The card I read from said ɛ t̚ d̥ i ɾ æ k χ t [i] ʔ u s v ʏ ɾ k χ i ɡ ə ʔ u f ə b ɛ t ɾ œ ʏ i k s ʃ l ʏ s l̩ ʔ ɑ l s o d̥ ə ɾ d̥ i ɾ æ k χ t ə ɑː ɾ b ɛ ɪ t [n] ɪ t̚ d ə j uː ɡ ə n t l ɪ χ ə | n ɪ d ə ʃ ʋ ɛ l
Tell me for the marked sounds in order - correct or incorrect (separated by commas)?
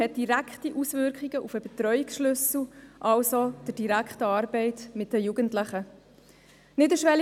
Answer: correct, incorrect